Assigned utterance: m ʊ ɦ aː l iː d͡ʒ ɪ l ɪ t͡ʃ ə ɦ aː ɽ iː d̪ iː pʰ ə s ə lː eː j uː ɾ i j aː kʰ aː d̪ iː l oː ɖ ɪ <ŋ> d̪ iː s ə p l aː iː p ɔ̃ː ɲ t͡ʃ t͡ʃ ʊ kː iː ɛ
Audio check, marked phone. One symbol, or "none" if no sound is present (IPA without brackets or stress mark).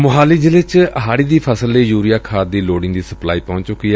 ŋ